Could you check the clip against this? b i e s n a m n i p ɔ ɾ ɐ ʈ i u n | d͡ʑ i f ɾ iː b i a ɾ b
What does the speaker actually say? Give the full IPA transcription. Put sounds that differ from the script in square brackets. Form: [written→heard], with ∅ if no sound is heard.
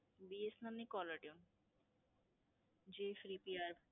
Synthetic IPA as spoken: b i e s n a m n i [p→k] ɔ [ɾ→l] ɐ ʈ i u n | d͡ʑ i f ɾ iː [b→p] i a ɾ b